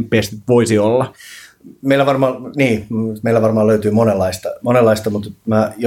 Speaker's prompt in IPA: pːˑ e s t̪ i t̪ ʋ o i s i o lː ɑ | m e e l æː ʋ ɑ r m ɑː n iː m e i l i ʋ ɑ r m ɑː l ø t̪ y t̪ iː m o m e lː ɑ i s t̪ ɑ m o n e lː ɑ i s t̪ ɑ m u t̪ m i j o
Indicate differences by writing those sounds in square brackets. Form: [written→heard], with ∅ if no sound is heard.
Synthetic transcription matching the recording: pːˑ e s t̪ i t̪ ʋ o i s i o lː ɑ | m e [e→i] l [æː→æ] ʋ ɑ r m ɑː n iː m e i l [i→æ] ʋ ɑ r m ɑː l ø [t̪→∅] y t̪ [iː→yː] m o [m→n] e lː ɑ i s t̪ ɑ m o n e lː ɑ i s t̪ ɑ m u t̪ m [i→æ] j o